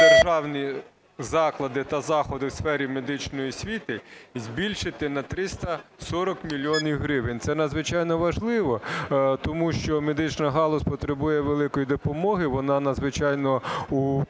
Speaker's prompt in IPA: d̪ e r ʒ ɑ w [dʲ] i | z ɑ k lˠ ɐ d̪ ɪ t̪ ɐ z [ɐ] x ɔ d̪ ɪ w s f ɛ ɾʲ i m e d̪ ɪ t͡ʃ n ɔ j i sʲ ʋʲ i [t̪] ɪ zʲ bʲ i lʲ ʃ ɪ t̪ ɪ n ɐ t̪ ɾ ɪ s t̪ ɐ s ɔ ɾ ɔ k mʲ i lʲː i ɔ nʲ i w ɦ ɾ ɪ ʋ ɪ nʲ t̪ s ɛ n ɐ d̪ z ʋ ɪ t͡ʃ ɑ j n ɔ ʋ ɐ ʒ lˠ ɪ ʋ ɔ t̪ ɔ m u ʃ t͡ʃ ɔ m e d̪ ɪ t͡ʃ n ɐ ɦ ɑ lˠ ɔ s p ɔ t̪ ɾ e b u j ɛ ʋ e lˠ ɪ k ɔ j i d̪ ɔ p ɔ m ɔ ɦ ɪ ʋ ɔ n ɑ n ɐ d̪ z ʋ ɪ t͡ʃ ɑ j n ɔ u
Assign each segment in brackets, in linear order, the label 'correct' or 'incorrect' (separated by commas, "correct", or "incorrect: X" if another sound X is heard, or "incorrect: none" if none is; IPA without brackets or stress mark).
incorrect: nʲ, incorrect: ɑ, correct